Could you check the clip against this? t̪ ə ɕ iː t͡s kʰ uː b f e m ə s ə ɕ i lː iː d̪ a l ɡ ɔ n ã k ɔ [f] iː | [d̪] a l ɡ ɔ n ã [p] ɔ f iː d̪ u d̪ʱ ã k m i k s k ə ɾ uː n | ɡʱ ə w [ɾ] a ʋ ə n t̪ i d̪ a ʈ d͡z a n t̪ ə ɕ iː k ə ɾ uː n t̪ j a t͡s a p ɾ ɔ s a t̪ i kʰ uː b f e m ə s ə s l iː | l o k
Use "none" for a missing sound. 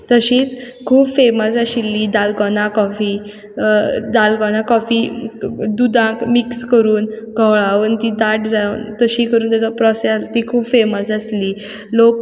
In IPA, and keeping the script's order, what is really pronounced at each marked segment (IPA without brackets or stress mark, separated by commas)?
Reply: f, d̪, k, ɭ